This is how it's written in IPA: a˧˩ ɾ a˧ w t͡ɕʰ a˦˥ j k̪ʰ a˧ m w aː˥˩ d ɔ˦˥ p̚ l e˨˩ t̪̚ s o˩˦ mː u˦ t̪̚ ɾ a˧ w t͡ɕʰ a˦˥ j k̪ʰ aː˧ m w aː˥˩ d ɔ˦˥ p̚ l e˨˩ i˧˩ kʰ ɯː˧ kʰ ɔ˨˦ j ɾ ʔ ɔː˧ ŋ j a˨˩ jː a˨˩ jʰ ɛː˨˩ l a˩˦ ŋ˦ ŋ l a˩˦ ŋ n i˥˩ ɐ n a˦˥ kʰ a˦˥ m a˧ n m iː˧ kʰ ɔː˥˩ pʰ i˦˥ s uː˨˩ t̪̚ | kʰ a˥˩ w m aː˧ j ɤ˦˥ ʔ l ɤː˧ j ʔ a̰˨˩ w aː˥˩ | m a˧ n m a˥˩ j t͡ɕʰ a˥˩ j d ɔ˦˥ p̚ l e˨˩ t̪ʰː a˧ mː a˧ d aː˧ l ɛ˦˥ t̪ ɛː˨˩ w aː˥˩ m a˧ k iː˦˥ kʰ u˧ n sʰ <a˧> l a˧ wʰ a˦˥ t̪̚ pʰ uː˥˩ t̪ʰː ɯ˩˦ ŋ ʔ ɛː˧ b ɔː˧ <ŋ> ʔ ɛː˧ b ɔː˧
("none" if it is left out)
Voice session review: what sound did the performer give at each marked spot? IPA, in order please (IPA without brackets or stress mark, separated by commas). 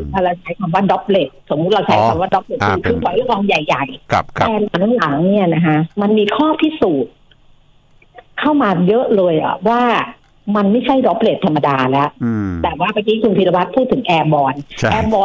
i˧, n